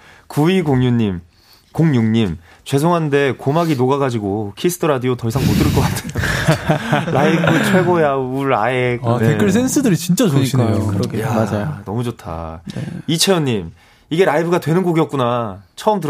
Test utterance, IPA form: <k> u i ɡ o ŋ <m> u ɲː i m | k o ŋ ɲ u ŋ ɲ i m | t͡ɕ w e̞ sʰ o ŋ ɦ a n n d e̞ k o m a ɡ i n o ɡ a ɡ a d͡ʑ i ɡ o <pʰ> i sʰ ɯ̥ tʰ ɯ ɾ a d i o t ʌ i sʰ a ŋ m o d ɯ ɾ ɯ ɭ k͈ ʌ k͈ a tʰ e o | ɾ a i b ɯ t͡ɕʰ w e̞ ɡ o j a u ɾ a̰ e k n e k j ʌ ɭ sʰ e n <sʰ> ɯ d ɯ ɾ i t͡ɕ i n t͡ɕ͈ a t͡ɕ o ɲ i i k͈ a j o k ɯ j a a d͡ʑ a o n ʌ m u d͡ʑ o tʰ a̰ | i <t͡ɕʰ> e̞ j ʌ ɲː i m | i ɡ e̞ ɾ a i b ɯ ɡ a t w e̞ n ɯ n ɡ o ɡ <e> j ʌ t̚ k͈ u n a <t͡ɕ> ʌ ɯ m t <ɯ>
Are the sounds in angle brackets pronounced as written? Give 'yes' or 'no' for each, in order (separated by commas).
yes, no, no, yes, yes, no, no, yes